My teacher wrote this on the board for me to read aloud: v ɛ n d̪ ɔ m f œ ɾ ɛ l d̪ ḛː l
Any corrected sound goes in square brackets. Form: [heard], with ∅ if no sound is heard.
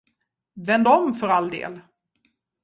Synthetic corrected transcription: v ɛ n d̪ ɔ m f œ ɾ [a] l d̪ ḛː l